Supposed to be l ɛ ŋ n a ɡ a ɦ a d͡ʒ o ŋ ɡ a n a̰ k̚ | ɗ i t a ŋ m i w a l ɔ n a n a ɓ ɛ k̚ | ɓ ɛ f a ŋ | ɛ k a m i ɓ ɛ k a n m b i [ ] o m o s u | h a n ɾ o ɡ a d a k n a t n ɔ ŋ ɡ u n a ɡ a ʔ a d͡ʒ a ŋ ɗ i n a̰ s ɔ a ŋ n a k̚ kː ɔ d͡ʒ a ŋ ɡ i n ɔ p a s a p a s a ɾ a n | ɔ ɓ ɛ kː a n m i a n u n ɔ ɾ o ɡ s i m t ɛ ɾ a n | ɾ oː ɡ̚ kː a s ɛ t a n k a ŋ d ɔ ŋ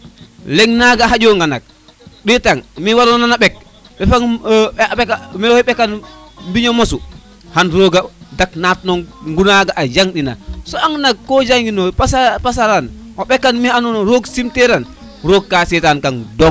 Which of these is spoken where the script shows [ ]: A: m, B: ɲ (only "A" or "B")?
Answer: B